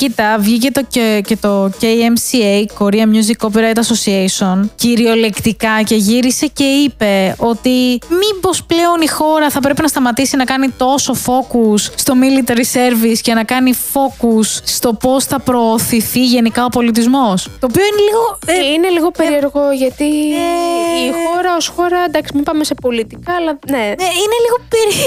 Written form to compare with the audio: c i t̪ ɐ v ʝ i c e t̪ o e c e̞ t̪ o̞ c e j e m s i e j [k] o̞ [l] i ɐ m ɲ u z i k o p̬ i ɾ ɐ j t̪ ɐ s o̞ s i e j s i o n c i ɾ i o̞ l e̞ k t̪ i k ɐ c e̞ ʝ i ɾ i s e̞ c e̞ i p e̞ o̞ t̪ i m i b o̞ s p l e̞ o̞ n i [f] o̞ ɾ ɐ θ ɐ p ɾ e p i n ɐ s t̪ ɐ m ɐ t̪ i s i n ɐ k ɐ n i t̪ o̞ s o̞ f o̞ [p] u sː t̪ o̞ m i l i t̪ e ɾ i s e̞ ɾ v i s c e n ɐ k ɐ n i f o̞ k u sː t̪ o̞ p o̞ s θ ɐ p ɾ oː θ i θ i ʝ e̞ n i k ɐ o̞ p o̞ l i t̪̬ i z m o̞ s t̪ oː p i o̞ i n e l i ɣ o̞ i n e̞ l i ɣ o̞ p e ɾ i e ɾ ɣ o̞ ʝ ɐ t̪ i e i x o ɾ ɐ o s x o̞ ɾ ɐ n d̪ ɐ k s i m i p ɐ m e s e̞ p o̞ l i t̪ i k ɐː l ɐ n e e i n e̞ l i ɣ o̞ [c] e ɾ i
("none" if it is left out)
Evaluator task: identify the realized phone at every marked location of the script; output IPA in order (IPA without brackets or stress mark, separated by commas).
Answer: k, ɾ, x, k, p